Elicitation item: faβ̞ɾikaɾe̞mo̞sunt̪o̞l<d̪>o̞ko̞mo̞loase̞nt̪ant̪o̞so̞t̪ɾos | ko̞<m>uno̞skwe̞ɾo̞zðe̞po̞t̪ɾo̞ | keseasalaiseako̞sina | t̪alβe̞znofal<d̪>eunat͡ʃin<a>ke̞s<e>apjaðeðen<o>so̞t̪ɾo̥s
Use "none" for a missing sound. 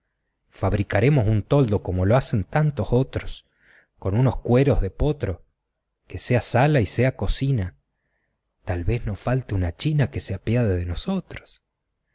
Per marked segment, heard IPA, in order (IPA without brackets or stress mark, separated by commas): d̪, n, t̪, a, e, o